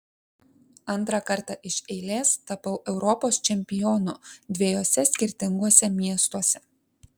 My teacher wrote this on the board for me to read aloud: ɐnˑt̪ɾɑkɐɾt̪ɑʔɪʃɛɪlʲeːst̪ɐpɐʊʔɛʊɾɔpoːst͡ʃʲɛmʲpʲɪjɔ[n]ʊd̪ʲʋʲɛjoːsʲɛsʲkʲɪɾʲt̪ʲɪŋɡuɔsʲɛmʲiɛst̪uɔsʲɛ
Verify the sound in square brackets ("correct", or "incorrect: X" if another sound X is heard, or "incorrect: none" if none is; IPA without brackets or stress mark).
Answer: correct